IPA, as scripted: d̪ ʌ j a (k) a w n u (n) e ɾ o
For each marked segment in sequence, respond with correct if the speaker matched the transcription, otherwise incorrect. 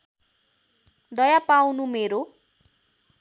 incorrect, incorrect

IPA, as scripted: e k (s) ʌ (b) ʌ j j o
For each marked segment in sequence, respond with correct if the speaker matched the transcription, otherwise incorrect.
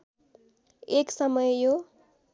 correct, incorrect

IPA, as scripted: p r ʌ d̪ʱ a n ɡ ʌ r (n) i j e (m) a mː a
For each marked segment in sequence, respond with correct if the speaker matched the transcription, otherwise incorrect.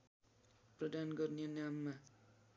correct, incorrect

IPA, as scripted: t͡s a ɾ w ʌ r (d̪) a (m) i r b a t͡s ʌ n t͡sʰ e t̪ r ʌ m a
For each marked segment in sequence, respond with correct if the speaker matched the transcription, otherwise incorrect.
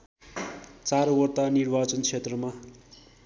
incorrect, incorrect

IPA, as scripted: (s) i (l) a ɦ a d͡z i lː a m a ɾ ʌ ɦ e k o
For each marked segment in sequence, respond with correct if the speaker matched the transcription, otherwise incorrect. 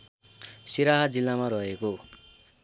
correct, incorrect

